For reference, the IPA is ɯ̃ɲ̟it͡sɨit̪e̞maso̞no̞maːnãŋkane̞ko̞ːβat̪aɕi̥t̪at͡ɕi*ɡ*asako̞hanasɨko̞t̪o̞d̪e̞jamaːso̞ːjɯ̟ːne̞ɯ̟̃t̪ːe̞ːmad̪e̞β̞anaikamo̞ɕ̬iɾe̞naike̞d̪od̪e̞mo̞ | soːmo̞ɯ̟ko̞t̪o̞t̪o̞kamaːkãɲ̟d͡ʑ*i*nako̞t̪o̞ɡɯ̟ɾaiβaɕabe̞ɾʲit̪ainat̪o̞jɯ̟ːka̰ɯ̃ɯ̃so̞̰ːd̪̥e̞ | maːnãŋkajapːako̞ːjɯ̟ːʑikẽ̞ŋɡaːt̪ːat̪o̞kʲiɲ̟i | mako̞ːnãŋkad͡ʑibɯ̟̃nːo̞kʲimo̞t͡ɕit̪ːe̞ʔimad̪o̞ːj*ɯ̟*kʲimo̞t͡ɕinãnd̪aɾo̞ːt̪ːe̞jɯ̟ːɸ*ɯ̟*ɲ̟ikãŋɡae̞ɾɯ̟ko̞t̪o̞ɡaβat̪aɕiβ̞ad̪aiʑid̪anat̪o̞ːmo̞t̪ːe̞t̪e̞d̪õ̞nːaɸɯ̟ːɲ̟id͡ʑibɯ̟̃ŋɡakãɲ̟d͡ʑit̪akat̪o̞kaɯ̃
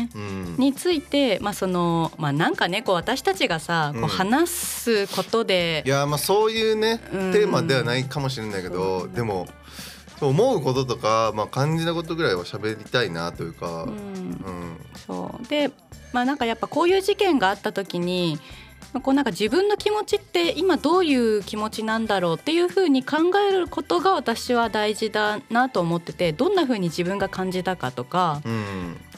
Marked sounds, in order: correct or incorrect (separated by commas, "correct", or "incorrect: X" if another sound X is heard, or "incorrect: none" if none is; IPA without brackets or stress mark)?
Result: correct, correct, incorrect: ɯ̟ː, incorrect: ɯ̟ː